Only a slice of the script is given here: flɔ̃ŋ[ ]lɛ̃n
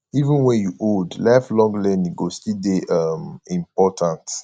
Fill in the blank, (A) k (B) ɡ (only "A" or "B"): B